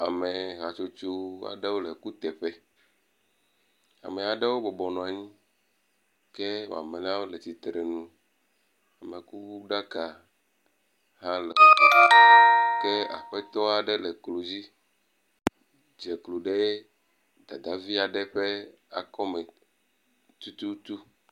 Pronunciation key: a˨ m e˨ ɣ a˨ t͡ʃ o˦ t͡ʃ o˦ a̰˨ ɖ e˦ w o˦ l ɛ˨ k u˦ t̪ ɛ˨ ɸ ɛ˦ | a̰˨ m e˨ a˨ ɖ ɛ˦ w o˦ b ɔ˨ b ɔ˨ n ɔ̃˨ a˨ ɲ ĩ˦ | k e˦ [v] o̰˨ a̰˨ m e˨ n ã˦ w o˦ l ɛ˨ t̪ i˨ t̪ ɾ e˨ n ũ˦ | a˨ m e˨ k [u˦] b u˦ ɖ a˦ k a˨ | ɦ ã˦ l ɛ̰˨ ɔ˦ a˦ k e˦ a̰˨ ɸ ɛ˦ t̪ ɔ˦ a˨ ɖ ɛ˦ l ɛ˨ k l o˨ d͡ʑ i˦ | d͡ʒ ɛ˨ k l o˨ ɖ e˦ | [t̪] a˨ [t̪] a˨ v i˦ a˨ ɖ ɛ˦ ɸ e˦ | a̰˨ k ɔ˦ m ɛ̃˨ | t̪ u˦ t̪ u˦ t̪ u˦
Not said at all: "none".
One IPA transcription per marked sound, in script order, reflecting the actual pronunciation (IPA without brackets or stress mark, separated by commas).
w, u˦, d̪, d̪